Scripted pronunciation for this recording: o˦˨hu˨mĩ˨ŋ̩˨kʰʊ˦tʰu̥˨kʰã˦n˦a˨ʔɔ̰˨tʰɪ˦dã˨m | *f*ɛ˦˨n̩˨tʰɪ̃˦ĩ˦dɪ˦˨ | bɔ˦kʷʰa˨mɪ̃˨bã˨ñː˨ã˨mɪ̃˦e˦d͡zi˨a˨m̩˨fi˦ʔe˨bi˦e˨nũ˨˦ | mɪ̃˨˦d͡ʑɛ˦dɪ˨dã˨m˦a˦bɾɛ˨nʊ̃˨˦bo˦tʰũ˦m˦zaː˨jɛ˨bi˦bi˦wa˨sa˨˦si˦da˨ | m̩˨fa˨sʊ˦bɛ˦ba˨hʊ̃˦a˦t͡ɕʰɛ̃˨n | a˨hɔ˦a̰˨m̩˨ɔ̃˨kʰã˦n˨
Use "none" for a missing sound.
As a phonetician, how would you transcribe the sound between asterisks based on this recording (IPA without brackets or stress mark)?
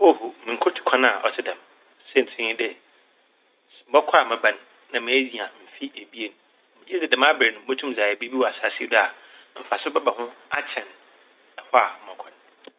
s